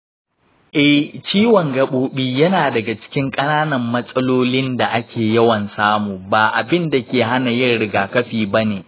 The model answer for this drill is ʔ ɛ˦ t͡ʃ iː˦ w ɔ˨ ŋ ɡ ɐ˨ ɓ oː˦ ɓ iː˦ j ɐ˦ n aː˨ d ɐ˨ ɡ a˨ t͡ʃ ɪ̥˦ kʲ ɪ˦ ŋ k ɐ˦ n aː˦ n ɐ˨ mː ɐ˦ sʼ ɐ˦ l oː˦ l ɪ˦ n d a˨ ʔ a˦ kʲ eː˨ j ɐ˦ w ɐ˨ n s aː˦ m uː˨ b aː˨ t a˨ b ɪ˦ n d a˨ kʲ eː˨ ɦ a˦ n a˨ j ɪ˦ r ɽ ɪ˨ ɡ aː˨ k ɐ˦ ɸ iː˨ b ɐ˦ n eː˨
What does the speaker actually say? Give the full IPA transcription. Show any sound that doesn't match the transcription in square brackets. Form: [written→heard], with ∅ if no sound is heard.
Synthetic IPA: ʔ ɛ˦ t͡ʃ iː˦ w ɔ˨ ŋ ɡ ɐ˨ ɓ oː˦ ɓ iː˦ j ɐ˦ n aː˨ d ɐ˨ ɡ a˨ t͡ʃ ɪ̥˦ kʲ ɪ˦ ŋ [k→kʼ] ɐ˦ n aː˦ n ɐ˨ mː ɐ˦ sʼ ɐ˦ l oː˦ l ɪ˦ n d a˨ ʔ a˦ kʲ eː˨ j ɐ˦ w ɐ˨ n s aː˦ m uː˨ b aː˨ [t→ʔ] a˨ b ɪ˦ n d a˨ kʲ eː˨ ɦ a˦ n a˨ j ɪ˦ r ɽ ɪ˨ ɡ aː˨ k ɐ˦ ɸ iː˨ b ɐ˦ n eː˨